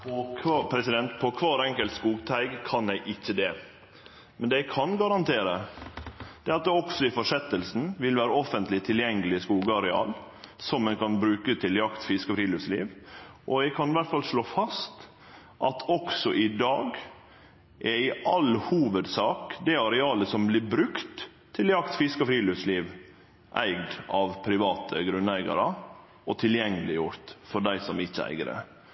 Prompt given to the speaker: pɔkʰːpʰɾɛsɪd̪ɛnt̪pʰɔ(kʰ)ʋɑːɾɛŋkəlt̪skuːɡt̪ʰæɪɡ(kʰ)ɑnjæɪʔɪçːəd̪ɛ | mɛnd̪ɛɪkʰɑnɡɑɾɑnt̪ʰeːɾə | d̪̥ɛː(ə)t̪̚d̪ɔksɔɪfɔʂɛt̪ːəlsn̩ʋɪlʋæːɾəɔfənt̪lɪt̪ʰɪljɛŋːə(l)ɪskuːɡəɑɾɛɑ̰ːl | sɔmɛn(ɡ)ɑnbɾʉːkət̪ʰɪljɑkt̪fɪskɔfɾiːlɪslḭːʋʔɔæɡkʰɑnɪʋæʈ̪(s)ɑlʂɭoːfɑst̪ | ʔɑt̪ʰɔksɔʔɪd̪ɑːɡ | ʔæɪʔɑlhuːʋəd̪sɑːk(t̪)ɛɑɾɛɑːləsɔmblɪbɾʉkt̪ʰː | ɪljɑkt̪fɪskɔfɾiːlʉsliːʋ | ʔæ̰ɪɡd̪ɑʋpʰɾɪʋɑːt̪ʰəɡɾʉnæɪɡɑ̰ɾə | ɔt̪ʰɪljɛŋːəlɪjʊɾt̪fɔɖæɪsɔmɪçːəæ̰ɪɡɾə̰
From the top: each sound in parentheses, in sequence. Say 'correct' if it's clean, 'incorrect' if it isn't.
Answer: correct, correct, incorrect: ɑ, correct, incorrect: k, incorrect: f, incorrect: d̪

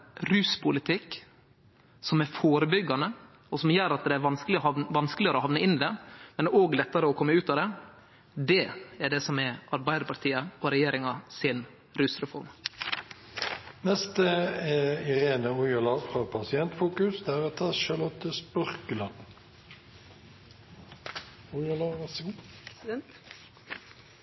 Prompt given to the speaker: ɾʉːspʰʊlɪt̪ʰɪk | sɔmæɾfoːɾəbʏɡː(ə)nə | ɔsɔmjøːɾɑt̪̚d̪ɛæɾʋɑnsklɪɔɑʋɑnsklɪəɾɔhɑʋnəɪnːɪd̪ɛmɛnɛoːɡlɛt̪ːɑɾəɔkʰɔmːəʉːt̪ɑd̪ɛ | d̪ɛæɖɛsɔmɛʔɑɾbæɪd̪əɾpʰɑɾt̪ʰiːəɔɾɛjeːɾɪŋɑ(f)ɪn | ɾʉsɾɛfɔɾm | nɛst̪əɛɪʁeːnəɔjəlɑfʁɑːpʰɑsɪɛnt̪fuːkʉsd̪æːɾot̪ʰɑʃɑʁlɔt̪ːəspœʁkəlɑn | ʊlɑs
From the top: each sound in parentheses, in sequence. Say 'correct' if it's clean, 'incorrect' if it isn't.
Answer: incorrect: ɑ, incorrect: s

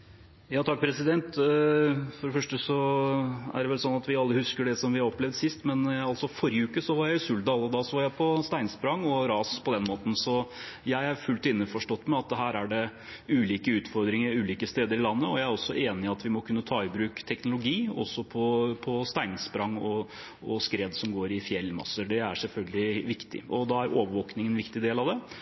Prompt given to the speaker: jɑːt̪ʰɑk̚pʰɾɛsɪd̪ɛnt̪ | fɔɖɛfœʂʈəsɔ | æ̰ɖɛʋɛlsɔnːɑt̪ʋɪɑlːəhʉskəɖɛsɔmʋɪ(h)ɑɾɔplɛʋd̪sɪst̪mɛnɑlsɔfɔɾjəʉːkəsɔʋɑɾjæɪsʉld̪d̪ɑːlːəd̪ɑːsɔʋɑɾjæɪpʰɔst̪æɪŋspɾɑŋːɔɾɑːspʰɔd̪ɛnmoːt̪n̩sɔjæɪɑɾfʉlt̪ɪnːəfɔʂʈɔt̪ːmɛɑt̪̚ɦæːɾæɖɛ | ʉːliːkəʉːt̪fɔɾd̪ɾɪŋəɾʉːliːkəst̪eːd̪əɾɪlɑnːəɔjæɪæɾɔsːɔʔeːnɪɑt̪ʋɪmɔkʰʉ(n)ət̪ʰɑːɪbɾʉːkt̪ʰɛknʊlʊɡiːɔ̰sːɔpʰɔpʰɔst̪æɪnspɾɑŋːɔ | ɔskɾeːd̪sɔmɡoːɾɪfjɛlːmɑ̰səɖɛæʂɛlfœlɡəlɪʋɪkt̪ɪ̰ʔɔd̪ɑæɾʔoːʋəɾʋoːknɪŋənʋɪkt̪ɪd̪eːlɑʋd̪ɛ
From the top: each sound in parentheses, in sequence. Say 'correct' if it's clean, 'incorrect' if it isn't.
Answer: correct, incorrect: nː

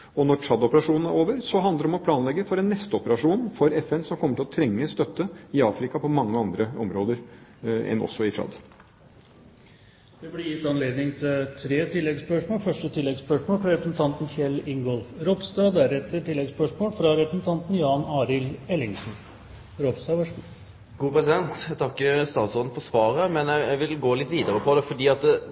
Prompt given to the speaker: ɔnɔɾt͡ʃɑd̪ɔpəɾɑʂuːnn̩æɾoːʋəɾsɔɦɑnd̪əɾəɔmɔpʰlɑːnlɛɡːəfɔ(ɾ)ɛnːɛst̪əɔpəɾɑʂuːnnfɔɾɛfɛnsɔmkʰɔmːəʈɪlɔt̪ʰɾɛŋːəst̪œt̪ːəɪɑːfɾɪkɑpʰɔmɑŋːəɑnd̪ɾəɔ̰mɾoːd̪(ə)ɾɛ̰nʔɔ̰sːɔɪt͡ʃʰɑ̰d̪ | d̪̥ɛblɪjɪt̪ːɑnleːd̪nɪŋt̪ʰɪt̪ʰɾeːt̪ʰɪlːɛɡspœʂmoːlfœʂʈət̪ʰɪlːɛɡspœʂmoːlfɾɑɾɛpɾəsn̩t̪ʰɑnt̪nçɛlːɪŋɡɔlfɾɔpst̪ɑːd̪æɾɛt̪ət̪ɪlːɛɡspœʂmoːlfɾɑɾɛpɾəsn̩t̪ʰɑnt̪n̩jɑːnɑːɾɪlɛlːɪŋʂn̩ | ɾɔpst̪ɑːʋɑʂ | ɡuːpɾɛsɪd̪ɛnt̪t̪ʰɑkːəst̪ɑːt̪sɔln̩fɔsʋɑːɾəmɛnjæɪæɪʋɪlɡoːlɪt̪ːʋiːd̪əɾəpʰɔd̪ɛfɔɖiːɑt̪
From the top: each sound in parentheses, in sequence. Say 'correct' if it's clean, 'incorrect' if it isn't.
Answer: correct, correct

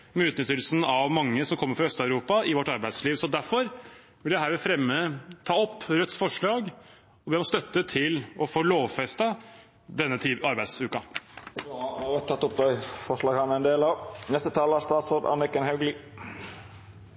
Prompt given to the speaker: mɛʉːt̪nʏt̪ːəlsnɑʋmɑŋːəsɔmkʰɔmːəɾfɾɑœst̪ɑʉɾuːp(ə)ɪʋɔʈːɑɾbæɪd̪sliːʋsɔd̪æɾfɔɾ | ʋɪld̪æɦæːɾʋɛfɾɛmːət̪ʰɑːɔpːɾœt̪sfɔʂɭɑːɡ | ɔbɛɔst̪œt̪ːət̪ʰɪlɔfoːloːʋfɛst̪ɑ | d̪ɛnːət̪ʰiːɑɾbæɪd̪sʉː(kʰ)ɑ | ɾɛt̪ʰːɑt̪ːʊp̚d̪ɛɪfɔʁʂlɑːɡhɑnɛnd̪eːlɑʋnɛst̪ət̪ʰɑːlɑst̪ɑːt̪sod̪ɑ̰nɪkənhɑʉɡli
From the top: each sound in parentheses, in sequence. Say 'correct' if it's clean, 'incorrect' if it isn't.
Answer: incorrect: ɑ, incorrect: k

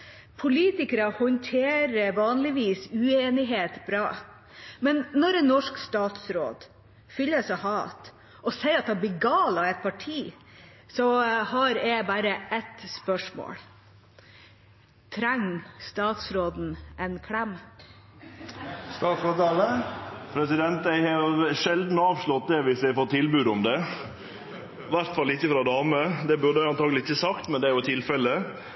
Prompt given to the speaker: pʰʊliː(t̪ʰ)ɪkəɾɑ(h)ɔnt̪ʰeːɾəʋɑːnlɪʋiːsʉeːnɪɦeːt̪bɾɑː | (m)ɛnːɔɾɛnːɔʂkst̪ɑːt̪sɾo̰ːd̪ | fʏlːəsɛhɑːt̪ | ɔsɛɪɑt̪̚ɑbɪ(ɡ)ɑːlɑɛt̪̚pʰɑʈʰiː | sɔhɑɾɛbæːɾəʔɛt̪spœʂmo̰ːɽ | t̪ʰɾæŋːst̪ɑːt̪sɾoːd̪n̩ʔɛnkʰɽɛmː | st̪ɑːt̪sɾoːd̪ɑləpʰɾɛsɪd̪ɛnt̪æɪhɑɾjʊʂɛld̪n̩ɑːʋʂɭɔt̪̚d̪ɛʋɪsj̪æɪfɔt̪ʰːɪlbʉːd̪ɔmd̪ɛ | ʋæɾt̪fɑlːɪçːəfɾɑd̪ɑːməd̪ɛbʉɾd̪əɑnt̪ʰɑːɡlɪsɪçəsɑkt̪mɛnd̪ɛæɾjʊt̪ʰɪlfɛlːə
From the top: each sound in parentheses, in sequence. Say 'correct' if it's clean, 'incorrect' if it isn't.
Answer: incorrect: t̪, correct, correct, correct

